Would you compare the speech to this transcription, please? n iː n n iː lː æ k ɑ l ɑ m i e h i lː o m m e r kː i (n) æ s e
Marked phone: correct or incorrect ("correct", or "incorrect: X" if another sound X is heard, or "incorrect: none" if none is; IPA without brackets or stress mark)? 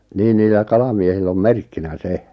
correct